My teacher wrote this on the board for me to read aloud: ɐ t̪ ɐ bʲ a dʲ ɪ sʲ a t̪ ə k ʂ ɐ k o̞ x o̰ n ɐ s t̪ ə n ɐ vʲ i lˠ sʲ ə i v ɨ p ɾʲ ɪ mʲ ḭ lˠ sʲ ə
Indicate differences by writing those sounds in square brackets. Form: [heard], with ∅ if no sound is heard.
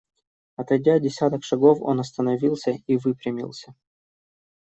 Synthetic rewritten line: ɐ t̪ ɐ [dʲ] a dʲ ɪ sʲ a t̪ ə k ʂ ɐ [ɡ] o̞ [f] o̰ n ɐ s t̪ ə n ɐ vʲ i lˠ sʲ ə i v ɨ p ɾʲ ɪ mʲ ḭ lˠ sʲ ə